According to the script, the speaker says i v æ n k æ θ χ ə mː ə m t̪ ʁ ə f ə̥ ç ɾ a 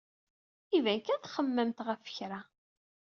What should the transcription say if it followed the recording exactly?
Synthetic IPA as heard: i v æ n k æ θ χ ə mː ə m t̪ ʁ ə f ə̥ ç ɾ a